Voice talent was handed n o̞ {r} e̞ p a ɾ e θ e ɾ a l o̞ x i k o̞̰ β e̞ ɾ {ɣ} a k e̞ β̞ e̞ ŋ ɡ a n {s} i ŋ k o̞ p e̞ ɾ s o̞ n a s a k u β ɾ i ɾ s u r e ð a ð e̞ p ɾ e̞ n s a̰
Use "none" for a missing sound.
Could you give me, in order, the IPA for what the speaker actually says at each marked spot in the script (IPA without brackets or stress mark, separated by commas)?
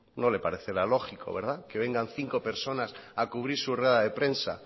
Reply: l, ð, θ